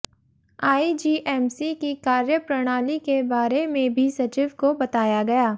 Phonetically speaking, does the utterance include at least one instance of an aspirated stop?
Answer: no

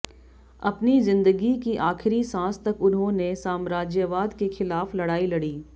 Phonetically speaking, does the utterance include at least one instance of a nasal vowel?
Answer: yes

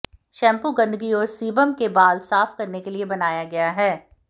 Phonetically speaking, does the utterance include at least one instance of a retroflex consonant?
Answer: no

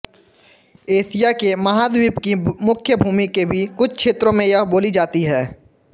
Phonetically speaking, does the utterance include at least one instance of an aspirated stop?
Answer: yes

